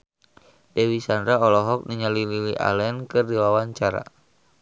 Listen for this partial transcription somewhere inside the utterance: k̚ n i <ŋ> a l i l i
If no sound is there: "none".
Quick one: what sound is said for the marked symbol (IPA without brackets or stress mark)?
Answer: ɲ